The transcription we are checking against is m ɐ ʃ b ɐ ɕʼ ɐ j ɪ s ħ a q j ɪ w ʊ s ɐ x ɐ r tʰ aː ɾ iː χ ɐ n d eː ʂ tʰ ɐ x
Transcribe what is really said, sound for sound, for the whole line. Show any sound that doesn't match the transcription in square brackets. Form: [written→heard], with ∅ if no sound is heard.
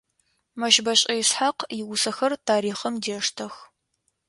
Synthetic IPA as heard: m ɐ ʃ b ɐ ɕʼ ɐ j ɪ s ħ a q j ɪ w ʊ s ɐ x ɐ r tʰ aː ɾ iː χ ɐ [n→m] d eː ʂ tʰ ɐ x

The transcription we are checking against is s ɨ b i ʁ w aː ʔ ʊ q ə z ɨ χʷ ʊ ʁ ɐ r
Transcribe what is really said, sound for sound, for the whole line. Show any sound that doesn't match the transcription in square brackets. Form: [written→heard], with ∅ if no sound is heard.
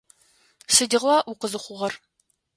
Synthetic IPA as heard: s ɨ [b→d] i ʁ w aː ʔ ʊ q ə z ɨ χʷ ʊ ʁ ɐ r

